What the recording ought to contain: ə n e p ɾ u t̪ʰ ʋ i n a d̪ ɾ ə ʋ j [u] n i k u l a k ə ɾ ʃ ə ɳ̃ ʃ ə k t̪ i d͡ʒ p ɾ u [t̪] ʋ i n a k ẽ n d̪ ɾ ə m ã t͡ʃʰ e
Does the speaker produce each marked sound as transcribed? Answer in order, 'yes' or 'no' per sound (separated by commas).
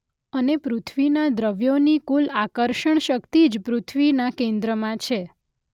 no, no